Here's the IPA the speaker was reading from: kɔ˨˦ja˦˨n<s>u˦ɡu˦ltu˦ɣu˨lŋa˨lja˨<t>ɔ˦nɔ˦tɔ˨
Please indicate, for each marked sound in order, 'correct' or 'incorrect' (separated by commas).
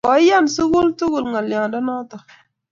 correct, incorrect